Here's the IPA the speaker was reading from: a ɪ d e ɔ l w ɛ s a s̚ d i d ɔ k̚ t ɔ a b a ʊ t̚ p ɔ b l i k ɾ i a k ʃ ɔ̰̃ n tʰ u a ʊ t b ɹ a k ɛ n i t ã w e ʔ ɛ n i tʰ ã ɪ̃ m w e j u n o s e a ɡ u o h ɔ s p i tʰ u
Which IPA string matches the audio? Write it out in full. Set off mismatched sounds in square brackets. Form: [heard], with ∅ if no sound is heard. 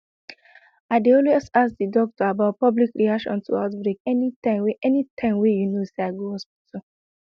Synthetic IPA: a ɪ d e ɔ l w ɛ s a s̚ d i d ɔ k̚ t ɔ a b a ʊ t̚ p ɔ b l i k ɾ i a k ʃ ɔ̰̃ n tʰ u a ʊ t b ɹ [e] k ɛ n i t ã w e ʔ ɛ n i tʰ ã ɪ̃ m w e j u n o s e a ɡ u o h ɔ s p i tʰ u